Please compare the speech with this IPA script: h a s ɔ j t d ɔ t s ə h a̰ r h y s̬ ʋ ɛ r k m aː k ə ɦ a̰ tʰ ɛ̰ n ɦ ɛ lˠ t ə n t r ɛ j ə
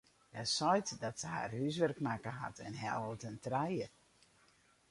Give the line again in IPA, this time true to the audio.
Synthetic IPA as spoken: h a s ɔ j t d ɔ t s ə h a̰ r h y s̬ ʋ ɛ r k m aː k ə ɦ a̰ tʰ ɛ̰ n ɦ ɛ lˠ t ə n t r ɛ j ə